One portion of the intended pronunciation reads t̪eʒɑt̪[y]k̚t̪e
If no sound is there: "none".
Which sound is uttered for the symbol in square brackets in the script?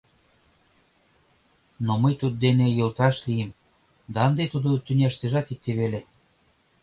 i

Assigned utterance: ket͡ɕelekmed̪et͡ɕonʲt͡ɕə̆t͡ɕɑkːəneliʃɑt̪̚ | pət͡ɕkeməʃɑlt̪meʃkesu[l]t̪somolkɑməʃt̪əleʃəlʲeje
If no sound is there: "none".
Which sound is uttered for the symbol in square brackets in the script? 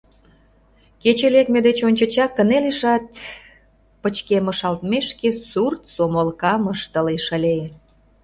r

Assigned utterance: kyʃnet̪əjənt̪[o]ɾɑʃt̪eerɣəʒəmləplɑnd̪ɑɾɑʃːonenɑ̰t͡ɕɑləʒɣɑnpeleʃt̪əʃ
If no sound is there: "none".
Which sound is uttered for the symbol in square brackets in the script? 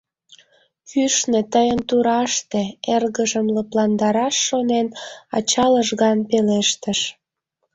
u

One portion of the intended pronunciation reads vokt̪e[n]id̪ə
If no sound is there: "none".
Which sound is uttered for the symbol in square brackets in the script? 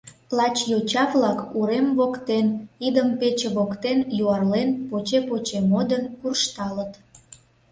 n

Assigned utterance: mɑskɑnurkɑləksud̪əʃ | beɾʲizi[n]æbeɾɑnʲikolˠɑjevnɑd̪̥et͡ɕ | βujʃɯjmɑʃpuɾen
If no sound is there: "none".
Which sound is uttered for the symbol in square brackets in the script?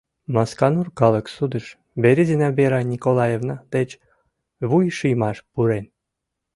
n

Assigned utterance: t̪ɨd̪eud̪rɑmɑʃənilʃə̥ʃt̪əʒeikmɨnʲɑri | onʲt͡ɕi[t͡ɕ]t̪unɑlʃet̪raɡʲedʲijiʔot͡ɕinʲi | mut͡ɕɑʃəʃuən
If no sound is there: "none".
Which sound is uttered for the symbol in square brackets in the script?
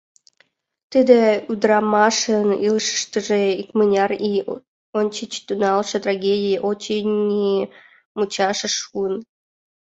t͡ɕ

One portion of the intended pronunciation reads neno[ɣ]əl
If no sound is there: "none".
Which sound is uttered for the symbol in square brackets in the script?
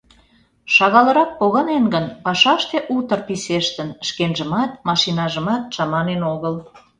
ɣ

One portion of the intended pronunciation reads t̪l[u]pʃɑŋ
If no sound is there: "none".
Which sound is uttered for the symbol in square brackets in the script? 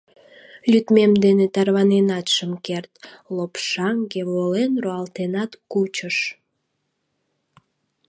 o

